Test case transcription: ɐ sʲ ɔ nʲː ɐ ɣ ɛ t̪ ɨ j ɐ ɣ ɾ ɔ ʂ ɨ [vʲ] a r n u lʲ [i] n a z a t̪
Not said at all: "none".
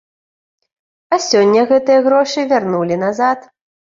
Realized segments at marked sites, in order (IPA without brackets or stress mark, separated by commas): vʲ, i